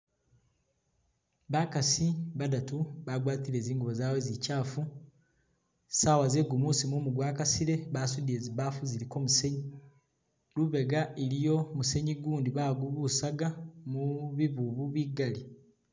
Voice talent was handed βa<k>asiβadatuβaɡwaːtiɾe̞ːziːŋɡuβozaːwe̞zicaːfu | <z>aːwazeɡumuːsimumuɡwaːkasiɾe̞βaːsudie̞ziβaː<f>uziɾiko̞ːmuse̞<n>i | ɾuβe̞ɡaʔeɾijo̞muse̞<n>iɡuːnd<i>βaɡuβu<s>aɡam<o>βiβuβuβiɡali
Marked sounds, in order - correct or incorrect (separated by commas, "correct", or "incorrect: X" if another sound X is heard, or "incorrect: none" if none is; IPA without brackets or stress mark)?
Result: correct, incorrect: s, correct, incorrect: ɲ, incorrect: ɲ, correct, correct, incorrect: u